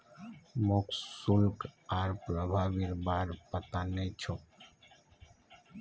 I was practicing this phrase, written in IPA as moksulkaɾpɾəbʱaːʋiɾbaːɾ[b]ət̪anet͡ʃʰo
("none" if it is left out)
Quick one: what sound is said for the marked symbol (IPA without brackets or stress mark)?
p